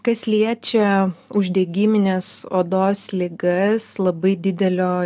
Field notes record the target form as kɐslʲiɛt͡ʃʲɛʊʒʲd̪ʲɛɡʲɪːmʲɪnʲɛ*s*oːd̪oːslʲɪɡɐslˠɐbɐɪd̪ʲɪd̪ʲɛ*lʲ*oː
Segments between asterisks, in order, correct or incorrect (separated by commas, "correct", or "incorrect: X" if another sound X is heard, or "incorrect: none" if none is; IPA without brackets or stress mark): correct, correct